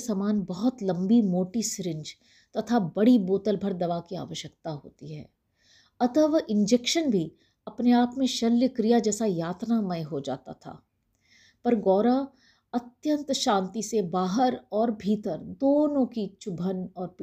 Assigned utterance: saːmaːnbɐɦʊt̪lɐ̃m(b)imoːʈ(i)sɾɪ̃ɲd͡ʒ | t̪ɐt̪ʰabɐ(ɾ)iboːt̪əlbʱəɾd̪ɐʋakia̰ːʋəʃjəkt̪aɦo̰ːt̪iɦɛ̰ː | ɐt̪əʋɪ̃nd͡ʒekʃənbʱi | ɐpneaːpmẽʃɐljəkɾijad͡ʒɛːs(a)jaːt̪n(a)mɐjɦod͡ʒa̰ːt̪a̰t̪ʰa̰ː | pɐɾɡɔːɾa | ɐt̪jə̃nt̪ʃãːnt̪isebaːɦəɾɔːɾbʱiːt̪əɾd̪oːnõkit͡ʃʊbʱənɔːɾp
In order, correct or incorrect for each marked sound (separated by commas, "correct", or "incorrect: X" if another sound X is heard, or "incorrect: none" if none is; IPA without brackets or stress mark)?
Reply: correct, correct, incorrect: ɽ, correct, correct